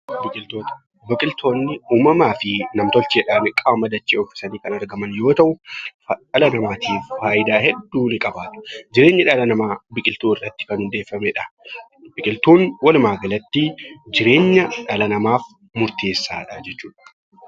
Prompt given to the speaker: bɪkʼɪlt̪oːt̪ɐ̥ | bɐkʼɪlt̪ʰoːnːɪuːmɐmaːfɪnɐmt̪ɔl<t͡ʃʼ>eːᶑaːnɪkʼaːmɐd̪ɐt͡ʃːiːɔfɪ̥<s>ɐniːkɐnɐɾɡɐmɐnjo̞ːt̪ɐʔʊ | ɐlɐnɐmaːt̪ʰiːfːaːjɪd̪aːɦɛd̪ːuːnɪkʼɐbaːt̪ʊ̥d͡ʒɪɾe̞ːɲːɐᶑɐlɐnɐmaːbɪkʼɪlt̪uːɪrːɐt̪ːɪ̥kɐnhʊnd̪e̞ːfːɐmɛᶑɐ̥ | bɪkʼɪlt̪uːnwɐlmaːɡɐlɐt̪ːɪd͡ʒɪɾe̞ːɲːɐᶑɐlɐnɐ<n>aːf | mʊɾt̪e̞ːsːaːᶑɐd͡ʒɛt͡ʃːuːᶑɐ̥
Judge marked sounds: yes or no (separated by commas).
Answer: no, yes, no